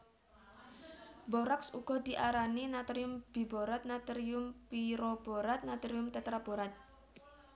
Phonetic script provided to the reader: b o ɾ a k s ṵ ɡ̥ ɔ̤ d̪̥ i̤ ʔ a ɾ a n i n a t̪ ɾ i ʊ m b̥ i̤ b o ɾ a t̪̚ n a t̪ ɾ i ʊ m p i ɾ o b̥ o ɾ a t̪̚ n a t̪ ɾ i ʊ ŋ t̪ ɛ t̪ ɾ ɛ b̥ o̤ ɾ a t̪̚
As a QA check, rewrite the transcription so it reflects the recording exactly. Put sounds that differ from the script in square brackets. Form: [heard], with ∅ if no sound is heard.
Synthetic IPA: b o ɾ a k s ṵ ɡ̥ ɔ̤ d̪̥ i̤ ʔ a ɾ a n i n a t̪ ɾ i ʊ m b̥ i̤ b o ɾ a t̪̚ n a t̪ ɾ i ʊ m p i ɾ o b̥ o ɾ a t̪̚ n a t̪ ɾ i ʊ [m] t̪ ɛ t̪ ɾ [a] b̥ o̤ ɾ a t̪̚